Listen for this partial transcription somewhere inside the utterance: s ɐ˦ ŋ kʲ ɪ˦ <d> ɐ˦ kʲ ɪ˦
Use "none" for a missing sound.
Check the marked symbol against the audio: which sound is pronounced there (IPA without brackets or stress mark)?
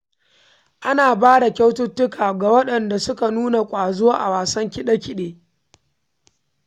ɗ